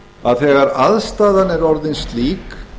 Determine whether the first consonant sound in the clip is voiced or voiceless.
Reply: voiced